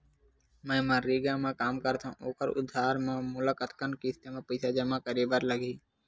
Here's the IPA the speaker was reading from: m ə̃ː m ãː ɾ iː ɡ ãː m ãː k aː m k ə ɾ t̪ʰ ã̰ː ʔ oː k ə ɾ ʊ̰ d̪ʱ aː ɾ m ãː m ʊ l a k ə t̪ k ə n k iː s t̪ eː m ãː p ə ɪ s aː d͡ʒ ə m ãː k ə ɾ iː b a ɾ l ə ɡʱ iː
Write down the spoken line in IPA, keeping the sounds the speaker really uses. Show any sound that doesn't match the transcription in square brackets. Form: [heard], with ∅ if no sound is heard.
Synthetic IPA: m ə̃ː m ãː ɾ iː ɡ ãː m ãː k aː m k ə ɾ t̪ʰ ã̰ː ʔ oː k ə ɾ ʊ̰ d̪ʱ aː ɾ m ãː m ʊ l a k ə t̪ k ə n k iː s t̪ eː m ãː p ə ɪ s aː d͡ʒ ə m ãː k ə ɾ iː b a ɾ l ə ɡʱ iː